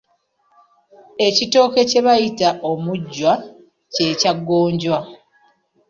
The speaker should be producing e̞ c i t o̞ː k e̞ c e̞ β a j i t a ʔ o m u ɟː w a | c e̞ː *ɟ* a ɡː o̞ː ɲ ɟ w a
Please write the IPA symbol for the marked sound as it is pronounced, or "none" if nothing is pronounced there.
c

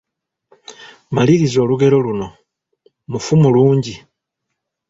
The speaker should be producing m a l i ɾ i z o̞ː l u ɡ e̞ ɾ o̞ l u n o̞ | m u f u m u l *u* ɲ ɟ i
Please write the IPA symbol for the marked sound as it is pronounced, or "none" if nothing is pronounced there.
uː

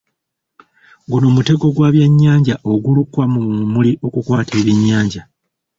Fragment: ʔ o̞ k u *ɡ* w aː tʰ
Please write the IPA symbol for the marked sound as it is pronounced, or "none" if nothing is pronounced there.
k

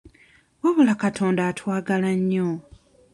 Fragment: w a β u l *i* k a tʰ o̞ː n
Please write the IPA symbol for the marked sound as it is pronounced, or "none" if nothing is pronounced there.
a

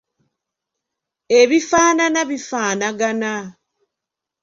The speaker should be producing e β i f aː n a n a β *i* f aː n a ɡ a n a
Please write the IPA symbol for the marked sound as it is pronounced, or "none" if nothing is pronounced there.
i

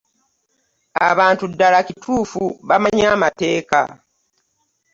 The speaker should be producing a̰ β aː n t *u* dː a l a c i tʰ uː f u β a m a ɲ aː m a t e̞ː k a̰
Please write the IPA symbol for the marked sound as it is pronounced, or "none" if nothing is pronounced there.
u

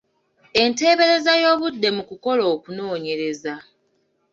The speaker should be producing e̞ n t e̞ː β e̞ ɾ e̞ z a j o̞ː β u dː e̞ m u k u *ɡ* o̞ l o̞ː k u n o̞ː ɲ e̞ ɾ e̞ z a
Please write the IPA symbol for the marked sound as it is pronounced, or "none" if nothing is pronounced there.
k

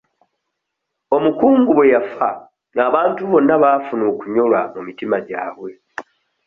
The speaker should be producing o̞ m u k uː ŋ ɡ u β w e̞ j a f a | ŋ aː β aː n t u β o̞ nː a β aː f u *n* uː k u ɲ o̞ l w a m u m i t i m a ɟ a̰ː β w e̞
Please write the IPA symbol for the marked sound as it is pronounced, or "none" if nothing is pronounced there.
n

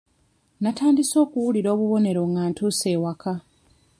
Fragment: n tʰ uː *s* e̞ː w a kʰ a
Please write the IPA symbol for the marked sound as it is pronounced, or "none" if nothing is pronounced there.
s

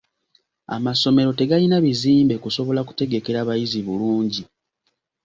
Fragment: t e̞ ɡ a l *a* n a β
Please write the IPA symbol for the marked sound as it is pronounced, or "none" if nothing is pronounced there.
i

